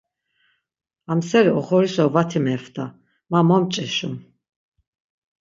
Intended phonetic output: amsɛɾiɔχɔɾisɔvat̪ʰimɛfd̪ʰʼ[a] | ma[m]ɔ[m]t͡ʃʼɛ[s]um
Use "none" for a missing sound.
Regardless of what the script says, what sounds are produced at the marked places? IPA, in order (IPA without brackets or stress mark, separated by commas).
a, m, m, ʃ